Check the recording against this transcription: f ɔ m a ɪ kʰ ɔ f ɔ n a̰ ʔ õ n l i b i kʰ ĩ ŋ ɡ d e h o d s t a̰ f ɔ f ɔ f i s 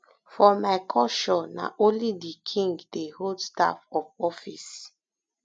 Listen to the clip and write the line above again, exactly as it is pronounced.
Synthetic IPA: f ɔ m a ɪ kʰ ɔ ʃ ɔ n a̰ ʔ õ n l i d i kʰ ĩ ŋ ɡ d e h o d s t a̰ f ɔ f ɔ f i s